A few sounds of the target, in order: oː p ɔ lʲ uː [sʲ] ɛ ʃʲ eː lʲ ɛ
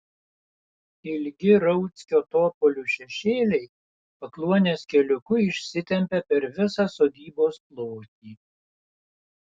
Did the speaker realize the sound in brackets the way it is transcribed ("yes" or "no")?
no